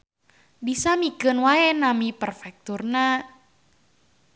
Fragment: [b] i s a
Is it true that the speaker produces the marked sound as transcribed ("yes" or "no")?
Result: yes